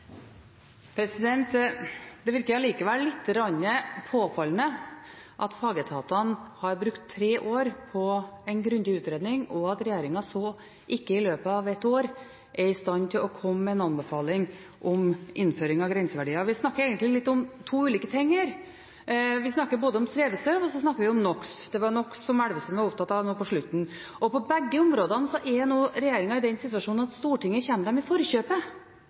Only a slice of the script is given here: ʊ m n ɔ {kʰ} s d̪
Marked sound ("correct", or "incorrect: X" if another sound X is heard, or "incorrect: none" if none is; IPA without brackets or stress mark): incorrect: k